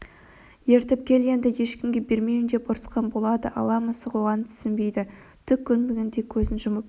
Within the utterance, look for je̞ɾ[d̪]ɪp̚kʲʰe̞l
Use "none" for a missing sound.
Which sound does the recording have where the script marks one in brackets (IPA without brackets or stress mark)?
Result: t̪